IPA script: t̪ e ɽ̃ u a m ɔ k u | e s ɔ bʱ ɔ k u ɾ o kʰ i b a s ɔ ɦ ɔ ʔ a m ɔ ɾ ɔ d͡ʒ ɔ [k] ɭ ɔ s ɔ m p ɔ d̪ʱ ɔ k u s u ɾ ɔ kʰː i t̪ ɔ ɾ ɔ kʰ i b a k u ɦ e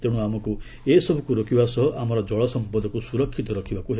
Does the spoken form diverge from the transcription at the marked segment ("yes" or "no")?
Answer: yes